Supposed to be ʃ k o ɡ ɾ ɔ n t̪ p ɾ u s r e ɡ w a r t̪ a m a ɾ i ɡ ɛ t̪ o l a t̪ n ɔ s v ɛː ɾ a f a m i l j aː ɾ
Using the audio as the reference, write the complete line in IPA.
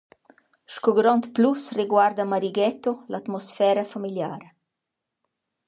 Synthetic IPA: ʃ k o ɡ ɾ ɔ n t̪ p l u s r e ɡ w a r d̪ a m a ɾ i ɡ ɛ t̪ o l a t̪ m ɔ s f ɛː ɾ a f a m i l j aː ɾ